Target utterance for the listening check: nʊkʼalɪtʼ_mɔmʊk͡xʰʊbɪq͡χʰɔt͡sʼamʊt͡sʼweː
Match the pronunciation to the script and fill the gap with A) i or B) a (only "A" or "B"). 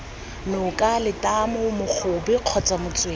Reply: B